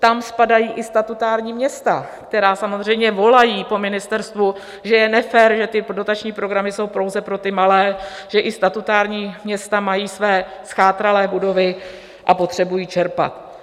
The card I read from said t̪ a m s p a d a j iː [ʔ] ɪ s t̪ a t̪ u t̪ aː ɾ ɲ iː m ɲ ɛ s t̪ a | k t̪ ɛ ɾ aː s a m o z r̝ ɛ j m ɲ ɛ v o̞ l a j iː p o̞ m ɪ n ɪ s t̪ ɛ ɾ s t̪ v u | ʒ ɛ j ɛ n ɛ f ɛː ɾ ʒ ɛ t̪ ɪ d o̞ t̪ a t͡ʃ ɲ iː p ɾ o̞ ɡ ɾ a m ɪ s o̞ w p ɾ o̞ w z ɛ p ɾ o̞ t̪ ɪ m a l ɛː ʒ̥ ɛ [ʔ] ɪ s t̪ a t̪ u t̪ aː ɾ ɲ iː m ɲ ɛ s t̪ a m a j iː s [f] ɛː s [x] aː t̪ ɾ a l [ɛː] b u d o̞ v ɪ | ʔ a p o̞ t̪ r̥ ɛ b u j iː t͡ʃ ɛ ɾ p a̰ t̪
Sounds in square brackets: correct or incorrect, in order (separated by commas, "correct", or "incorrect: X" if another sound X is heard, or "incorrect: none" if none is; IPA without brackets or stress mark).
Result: correct, correct, incorrect: v, correct, correct